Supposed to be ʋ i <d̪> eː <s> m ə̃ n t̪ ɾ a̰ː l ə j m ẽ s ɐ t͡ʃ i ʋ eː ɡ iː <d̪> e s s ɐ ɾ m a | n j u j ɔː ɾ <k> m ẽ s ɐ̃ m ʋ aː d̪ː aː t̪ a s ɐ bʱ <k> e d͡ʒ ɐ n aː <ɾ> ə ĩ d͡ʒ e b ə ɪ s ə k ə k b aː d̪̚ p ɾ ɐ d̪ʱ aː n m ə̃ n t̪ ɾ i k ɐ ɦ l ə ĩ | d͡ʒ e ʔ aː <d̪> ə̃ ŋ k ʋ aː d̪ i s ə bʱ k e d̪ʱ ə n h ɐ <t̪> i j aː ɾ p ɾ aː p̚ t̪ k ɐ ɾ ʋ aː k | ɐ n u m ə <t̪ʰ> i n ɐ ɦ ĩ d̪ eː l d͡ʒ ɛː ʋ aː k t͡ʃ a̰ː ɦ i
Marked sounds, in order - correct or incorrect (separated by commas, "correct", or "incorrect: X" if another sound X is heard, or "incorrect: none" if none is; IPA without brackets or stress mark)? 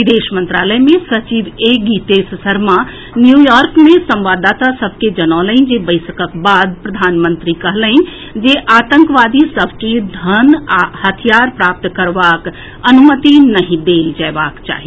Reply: correct, incorrect: ʃ, incorrect: t̪, correct, correct, incorrect: l, incorrect: t̪, incorrect: t̪ʰ, incorrect: t̪